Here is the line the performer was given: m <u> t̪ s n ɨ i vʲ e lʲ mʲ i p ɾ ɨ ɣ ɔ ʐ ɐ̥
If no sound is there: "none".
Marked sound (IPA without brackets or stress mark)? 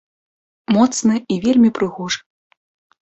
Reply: ɔ